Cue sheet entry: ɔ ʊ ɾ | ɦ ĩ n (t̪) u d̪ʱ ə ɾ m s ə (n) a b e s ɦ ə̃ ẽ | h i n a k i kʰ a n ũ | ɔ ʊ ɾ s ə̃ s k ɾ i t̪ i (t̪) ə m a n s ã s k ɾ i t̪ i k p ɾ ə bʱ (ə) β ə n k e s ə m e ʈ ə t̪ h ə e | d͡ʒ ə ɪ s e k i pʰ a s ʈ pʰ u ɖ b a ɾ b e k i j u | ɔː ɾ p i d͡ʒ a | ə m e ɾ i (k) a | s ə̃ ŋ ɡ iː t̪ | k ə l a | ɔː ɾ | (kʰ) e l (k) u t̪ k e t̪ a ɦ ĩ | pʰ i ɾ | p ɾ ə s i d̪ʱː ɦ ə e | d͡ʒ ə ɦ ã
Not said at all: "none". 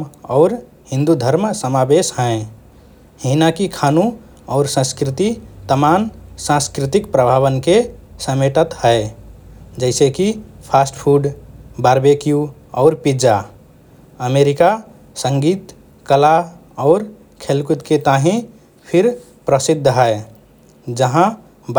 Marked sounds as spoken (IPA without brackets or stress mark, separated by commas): d̪, m, t̪, a, k, kʰ, k